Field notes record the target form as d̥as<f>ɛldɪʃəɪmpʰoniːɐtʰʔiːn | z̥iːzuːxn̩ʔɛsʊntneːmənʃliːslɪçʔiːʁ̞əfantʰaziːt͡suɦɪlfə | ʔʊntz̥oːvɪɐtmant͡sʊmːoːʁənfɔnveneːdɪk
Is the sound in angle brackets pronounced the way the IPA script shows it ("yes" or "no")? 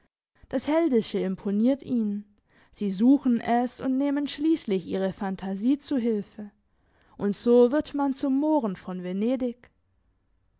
no